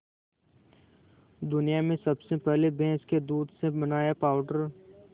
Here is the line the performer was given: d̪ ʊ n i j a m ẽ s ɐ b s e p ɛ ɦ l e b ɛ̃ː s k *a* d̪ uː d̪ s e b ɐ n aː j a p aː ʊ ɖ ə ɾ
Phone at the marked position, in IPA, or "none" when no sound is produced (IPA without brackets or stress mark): e